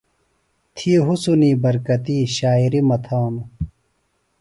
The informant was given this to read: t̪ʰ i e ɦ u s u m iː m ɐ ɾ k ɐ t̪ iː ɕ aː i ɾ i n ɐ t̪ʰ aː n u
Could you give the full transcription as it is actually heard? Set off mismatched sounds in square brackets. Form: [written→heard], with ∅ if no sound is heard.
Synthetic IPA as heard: t̪ʰ i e ɦ u s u [m→n] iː [m→b] ɐ ɾ k ɐ t̪ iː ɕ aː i ɾ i [n→m] ɐ t̪ʰ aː n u